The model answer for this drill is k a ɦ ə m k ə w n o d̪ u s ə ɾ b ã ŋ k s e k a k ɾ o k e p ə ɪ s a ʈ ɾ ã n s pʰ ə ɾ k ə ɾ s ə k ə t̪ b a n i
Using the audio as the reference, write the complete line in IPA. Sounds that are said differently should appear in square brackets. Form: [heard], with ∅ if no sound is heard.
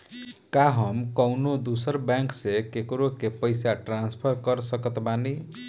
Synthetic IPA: k a ɦ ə m k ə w n o d̪ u s ə ɾ b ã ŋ k s e k [e] k ɾ o k e p ə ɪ s a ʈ ɾ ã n s pʰ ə ɾ k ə ɾ s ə k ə t̪ b a n i